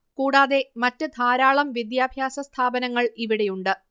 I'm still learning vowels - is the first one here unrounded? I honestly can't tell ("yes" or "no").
no